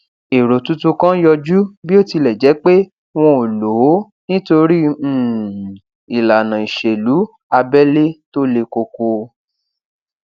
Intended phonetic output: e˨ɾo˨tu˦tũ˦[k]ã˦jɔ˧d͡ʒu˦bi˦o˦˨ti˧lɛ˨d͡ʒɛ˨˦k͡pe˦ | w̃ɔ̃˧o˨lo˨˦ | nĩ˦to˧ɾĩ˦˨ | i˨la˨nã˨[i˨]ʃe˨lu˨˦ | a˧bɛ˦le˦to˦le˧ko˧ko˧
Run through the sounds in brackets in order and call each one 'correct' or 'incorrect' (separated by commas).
correct, correct